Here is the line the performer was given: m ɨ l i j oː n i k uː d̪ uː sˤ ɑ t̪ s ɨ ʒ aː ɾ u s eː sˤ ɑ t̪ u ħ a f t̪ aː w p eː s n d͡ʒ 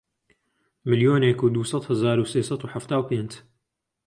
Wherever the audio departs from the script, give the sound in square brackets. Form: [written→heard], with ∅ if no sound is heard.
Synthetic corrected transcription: m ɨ l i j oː n [i→e] k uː d̪ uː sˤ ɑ t̪ [s→h] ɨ [ʒ→z] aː ɾ u s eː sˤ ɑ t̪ u ħ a f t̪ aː w p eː [s→∅] n d͡ʒ